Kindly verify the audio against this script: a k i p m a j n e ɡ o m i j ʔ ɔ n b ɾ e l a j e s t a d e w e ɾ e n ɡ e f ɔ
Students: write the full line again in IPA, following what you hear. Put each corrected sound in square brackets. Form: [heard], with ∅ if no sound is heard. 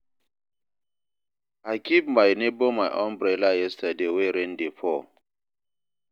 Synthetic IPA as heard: a k i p m a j n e [b] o m [a] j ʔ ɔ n b ɾ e l a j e s t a d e w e ɾ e n [d] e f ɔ